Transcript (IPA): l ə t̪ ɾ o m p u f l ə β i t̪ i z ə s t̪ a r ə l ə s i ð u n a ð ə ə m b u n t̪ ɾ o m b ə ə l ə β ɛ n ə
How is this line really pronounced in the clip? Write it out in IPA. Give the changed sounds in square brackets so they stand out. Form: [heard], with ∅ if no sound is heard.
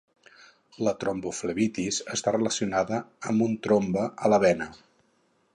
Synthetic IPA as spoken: l ə t̪ ɾ o m [b] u f l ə β i t̪ i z ə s t̪ a r ə l ə s i [∅] u n a ð ə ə m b u n t̪ ɾ o m b ə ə l ə β ɛ n ə